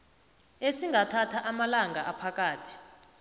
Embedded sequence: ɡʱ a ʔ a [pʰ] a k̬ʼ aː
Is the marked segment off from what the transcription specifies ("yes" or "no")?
no